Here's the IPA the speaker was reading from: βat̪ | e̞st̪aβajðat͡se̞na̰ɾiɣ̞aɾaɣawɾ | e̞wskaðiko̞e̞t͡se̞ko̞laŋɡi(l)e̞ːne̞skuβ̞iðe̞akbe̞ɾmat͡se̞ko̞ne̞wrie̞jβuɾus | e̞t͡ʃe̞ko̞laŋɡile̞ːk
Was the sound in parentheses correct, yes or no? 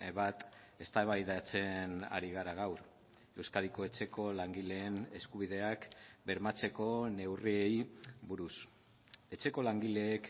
yes